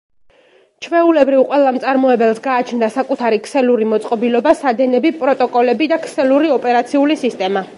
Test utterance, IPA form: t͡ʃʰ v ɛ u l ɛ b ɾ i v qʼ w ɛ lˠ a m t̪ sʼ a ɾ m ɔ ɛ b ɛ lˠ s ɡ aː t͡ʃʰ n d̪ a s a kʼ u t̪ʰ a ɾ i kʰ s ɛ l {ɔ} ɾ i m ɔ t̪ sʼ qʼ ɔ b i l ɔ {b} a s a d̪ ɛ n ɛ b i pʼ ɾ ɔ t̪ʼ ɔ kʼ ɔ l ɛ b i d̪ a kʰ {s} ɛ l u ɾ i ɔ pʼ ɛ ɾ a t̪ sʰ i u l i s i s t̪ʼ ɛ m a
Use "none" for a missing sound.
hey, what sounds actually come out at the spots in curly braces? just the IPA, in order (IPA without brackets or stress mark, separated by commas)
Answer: u, b, s